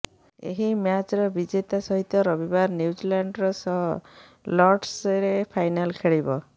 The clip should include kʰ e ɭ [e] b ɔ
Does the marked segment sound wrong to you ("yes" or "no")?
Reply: yes